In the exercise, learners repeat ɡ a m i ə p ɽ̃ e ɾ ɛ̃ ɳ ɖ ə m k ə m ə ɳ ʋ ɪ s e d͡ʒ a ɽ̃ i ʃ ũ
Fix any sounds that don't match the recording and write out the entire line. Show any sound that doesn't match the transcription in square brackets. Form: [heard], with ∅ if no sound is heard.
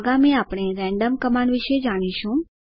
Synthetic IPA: ɡ a m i [a] p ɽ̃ e ɾ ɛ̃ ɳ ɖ ə m k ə m [a] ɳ ʋ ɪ [ʃ] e d͡ʒ a ɽ̃ i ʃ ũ

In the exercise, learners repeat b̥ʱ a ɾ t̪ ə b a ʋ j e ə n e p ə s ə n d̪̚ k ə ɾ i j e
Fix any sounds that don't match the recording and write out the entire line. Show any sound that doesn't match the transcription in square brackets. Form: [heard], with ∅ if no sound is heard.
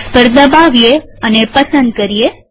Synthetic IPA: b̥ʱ [ə] ɾ [d̪] ə b a ʋ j e ə n e p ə s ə n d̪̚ k ə ɾ i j e

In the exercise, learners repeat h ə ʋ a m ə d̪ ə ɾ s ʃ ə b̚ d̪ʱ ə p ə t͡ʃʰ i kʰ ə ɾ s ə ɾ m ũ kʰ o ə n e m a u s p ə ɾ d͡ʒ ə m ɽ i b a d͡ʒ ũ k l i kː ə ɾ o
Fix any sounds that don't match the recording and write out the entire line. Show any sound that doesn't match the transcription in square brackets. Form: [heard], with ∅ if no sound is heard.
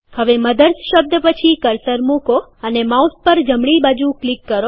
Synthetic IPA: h ə ʋ [e] m ə d̪ ə ɾ s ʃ ə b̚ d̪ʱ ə p ə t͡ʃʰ i [k] ə ɾ s ə ɾ m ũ [k] o ə n e m a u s p ə ɾ d͡ʒ ə m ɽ i b a d͡ʒ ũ k l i kː ə ɾ o

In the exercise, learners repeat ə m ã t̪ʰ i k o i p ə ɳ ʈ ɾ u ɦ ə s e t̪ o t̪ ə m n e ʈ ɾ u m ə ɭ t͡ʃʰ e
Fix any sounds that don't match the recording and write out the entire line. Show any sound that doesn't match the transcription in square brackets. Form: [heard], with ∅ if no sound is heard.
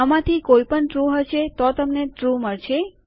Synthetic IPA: ə m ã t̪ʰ i k o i p ə ɳ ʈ ɾ u ɦ ə [ʃ] e t̪ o t̪ ə m n e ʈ ɾ u m ə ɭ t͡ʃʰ e

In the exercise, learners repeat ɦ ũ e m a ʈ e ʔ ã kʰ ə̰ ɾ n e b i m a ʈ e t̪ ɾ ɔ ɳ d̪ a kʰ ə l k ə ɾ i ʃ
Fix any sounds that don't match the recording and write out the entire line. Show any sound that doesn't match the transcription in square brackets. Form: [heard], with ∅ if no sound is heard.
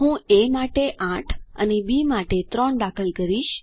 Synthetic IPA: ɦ ũ e m a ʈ e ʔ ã [ʈʰ] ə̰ [∅] n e b i m a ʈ e t̪ ɾ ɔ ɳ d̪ a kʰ ə l k ə ɾ i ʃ

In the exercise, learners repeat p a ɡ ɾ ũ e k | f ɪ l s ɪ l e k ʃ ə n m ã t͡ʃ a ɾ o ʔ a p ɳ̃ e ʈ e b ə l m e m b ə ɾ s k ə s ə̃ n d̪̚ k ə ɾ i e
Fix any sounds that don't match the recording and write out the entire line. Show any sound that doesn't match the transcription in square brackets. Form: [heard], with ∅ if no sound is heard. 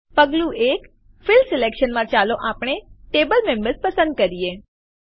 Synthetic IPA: p [ə] ɡ [l] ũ e k | f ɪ l s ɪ l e k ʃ ə n m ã t͡ʃ a [l] o ʔ a p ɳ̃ e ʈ e b ə l m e m b ə ɾ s [p] ə s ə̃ n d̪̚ k ə ɾ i e

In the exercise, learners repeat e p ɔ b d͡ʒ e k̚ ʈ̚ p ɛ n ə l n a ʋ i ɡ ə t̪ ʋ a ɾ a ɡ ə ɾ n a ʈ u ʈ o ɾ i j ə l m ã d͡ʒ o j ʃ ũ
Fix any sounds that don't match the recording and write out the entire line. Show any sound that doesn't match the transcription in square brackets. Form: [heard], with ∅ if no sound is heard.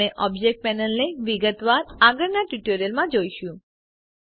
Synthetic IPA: e [ʔ] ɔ b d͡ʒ e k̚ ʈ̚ p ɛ n ə l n [e] ʋ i ɡ ə t̪ ʋ a ɾ a ɡ ə ɾ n a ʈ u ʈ o ɾ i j ə l m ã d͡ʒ o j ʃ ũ

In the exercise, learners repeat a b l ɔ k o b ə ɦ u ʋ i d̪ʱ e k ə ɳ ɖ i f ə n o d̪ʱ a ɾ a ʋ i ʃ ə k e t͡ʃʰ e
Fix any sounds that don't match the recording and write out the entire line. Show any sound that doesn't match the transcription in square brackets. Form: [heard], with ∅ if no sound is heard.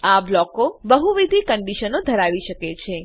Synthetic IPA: a b l ɔ k o b ə ɦ u ʋ i d̪ʱ [i] k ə ɳ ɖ i [ʃ] ə n o d̪ʱ [ə] ɾ a ʋ i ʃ ə k e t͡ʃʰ e

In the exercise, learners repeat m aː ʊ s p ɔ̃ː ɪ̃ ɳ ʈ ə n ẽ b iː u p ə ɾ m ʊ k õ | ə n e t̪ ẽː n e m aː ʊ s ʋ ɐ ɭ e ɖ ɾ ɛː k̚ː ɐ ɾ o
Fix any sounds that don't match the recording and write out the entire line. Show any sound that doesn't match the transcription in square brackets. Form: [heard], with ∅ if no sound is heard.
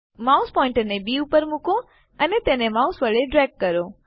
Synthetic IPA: m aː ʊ s p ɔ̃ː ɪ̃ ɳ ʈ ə n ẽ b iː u p ə ɾ m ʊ k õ | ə n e t̪ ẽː n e m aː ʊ s ʋ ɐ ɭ e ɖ ɾ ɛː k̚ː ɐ ɾ o

